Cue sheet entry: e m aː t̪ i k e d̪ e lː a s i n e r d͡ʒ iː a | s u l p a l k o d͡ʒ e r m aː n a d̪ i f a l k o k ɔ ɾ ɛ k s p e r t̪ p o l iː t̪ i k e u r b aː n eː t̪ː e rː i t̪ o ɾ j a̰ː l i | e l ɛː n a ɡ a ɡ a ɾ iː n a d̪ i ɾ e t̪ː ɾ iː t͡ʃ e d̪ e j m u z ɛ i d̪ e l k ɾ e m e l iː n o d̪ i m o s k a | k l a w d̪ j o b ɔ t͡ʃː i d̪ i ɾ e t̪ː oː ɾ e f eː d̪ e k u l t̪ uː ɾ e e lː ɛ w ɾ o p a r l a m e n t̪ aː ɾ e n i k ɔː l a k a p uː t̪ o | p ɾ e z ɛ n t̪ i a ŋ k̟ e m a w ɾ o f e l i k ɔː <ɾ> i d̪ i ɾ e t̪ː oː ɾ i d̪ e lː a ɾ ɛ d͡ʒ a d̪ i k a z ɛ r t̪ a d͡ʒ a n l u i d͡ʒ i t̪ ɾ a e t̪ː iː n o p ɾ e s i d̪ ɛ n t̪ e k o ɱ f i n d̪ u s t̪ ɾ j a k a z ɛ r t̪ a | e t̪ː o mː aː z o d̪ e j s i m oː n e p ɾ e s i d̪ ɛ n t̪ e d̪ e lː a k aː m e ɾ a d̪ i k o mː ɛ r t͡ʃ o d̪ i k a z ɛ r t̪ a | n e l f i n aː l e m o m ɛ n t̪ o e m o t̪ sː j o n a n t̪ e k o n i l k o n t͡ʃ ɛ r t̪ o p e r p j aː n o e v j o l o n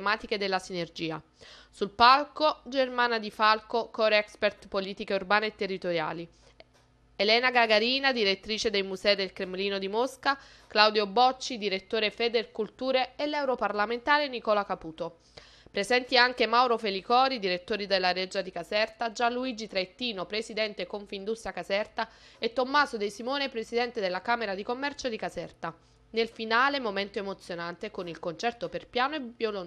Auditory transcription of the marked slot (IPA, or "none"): ɾ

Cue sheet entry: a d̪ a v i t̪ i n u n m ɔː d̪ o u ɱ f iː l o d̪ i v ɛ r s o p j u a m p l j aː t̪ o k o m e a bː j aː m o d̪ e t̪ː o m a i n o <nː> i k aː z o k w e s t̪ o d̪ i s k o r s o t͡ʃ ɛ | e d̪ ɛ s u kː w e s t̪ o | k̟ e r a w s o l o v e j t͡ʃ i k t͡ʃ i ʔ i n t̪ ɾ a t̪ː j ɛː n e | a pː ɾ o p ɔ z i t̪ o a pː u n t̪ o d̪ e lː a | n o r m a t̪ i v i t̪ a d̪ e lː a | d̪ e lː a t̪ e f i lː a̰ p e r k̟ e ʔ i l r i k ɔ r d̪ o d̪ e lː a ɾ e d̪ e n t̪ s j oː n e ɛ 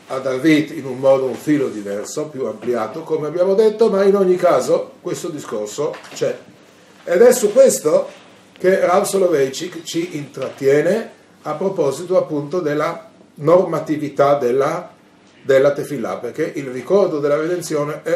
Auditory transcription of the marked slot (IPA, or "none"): ɲː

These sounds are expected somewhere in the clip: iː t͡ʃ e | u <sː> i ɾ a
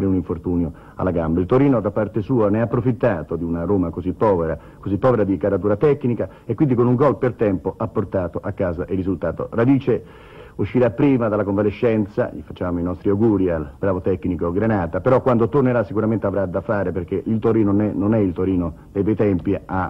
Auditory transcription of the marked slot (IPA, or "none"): ʃː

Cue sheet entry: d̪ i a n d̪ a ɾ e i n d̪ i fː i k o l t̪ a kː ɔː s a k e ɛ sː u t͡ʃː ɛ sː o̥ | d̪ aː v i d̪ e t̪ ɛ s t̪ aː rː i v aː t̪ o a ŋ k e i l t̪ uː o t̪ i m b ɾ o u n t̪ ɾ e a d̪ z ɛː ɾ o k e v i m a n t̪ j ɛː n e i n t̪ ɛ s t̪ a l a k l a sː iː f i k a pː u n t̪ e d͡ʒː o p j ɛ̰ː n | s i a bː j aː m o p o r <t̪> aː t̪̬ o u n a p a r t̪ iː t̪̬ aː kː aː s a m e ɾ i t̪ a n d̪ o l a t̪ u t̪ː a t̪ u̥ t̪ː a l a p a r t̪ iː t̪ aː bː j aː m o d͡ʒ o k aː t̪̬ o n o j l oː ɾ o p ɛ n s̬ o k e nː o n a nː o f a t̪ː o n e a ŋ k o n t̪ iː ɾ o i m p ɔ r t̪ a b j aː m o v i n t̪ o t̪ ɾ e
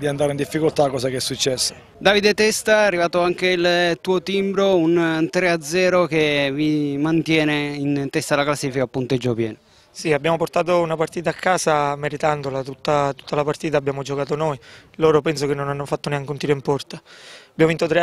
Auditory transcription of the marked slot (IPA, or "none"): t̪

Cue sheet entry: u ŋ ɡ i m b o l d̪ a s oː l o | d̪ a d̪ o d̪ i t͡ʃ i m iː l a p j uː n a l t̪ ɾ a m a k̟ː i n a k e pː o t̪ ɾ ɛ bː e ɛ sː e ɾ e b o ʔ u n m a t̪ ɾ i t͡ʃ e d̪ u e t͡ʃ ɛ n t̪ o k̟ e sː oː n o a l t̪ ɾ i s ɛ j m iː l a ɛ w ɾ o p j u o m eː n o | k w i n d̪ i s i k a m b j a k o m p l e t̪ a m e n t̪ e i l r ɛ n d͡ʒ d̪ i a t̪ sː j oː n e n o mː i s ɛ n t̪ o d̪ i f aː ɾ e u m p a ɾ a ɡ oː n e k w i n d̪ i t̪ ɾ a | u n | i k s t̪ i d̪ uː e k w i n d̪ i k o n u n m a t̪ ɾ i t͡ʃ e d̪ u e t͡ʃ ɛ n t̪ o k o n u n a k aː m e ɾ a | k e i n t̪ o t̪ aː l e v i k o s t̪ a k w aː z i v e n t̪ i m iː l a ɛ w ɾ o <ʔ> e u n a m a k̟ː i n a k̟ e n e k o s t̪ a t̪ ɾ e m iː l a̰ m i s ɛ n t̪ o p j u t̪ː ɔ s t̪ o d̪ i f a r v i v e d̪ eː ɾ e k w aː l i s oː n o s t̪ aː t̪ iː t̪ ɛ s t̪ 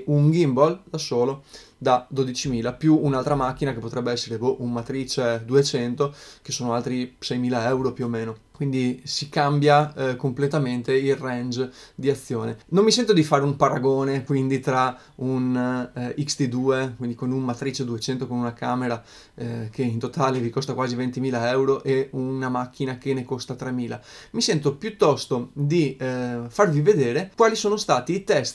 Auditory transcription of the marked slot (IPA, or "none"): ʔ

